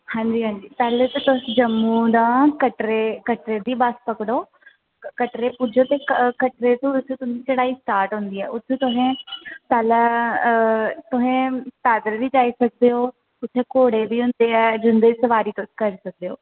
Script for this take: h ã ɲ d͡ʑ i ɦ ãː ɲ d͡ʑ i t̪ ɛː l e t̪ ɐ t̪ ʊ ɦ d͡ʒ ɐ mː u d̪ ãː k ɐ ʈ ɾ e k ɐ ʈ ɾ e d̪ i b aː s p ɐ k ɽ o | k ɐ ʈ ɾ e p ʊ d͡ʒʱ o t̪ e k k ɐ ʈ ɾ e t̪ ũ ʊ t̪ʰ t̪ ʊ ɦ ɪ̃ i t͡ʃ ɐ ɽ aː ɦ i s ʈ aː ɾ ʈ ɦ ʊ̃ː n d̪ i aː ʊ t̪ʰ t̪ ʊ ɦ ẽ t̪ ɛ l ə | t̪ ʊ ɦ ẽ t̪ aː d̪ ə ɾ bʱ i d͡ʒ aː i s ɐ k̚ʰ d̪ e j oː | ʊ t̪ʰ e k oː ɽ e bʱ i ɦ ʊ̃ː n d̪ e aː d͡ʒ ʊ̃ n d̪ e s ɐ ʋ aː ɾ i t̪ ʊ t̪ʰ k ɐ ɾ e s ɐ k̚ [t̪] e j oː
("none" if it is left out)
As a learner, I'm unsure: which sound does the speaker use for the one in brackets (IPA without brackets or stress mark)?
d̪